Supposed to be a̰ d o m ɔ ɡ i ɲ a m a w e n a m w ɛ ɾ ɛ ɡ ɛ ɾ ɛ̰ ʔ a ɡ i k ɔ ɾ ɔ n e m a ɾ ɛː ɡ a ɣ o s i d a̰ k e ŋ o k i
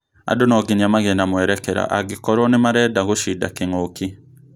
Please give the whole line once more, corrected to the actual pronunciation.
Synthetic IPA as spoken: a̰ d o n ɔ ɡ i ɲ a m a ɣ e n a m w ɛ ɾ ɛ k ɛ ɾ a̰ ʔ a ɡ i k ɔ ɾ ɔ n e m a ɾ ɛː d a ɣ o ʃ i d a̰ k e ŋ o k i